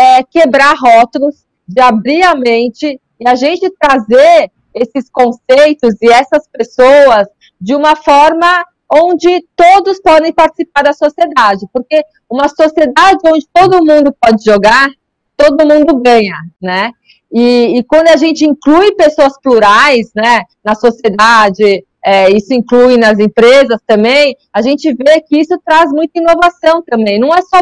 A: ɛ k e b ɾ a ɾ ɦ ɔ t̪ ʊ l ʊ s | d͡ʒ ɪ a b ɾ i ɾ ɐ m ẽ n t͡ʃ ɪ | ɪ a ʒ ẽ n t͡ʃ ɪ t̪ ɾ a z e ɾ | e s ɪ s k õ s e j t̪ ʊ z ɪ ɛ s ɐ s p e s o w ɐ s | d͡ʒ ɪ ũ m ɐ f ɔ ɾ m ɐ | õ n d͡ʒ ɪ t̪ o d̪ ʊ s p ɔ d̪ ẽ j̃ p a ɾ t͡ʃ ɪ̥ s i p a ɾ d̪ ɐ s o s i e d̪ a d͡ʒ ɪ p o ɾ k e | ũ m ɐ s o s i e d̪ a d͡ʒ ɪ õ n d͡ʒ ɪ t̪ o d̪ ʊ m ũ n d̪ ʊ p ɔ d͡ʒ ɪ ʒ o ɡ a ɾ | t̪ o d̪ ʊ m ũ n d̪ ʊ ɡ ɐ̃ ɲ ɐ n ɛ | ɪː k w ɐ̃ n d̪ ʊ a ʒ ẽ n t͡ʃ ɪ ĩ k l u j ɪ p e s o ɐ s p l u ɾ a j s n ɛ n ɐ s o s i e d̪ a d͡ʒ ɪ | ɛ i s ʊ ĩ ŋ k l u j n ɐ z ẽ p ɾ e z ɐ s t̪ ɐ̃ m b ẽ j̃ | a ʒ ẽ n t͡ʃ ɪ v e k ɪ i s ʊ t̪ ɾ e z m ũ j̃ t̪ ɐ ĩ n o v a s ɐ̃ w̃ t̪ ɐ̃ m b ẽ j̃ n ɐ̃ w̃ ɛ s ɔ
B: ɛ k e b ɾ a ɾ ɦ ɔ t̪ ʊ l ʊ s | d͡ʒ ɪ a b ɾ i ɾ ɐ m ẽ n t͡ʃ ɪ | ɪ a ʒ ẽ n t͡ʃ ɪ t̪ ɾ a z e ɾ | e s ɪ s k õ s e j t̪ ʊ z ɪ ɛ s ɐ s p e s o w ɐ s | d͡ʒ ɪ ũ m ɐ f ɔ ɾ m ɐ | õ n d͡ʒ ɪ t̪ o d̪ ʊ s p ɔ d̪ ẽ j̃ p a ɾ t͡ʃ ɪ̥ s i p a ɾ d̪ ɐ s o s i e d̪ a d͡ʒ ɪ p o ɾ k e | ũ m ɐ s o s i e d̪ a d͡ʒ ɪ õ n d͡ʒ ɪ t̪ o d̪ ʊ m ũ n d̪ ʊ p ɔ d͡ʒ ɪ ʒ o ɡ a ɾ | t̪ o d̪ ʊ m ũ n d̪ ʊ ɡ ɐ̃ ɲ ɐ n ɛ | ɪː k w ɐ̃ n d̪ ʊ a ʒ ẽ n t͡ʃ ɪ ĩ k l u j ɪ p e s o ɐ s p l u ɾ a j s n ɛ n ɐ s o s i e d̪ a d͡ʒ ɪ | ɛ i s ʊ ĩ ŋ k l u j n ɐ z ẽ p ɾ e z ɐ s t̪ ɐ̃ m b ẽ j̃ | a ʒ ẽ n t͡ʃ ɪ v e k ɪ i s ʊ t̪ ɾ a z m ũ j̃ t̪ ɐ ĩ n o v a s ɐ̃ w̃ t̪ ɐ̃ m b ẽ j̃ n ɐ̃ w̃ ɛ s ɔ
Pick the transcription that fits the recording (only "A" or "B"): B